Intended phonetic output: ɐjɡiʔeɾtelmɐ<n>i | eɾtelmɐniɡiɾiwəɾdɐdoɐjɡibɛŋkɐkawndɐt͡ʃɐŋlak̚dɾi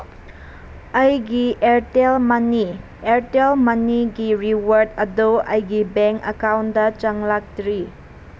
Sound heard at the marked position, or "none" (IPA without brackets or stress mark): n